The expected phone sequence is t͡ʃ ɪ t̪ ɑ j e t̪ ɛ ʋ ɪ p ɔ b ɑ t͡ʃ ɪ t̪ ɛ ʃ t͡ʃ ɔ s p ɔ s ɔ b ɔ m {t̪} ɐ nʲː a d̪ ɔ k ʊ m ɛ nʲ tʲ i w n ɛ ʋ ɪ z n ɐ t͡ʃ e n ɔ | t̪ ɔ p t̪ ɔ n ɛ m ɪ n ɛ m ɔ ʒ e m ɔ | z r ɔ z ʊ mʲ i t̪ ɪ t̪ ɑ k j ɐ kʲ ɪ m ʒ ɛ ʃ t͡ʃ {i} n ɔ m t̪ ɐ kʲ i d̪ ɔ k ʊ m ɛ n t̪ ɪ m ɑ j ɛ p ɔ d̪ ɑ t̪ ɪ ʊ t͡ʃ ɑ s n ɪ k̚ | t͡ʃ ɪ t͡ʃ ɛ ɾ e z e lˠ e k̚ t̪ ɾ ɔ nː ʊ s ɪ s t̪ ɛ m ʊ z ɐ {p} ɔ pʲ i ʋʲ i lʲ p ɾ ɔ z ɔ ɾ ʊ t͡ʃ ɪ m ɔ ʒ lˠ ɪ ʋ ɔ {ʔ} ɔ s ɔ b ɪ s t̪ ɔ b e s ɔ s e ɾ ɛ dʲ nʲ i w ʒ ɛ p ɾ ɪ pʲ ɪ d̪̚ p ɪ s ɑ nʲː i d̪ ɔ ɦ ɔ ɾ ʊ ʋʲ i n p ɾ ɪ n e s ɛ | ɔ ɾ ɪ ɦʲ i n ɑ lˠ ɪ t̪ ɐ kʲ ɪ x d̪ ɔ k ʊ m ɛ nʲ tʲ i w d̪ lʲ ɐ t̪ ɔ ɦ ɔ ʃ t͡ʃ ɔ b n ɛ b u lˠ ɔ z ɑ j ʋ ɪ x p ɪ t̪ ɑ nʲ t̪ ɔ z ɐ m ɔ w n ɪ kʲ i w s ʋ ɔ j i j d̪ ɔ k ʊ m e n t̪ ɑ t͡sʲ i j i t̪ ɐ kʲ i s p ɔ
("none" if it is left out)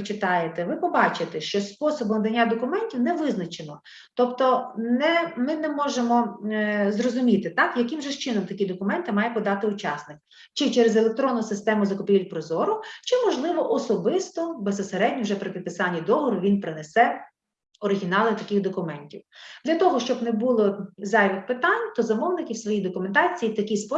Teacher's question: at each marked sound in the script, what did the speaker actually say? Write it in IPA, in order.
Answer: d̪, ɪ, k, ʔ

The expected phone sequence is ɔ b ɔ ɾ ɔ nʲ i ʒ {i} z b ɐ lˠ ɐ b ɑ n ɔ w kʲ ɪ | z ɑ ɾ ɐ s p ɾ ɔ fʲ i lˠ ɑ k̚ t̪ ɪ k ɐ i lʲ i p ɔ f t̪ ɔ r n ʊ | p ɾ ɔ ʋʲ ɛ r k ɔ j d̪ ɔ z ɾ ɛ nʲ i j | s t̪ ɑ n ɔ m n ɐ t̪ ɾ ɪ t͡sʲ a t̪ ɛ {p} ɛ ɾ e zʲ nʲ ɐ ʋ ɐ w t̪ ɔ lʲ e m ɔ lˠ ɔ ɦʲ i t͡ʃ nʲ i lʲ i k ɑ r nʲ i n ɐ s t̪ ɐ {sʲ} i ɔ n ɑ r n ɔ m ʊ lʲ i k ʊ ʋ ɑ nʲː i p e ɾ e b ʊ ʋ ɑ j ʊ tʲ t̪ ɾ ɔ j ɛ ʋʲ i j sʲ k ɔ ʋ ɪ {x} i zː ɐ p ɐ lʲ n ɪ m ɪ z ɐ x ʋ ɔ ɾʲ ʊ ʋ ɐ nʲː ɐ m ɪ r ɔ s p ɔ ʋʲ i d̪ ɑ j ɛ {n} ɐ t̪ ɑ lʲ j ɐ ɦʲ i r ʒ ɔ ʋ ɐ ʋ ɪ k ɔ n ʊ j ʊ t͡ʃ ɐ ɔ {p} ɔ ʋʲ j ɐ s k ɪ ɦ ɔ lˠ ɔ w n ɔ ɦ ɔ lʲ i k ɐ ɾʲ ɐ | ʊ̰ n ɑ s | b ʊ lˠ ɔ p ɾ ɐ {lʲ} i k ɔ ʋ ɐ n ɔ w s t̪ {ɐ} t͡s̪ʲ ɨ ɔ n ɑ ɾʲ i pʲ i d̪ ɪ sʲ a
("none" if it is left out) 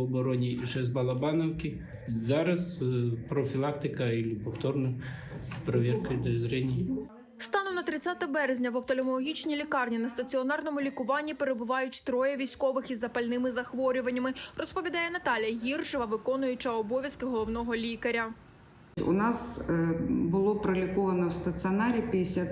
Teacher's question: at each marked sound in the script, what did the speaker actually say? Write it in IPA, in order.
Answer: ɛ, b, t͡sʲ, x, n, b, lʲ, ɐ

